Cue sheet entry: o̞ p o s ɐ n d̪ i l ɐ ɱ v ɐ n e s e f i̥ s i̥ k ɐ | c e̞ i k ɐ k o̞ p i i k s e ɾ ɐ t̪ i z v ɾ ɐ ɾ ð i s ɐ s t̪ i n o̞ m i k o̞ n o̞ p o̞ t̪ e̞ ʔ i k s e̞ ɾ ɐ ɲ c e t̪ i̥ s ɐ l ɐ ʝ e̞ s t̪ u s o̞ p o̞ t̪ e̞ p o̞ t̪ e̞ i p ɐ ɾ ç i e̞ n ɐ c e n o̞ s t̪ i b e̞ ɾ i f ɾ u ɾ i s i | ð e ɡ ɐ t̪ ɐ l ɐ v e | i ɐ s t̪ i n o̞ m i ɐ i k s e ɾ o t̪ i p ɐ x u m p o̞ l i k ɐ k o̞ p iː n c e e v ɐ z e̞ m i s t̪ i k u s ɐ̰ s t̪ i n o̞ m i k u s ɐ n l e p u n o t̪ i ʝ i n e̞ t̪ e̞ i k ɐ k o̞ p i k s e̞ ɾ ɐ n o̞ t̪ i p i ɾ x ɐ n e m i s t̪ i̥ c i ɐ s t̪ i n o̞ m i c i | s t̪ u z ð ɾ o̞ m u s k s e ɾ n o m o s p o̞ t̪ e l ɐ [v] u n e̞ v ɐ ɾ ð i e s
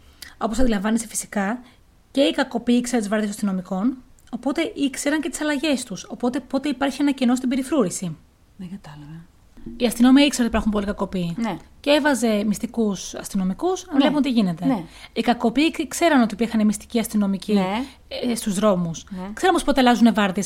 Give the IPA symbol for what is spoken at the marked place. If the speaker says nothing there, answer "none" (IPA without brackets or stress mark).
z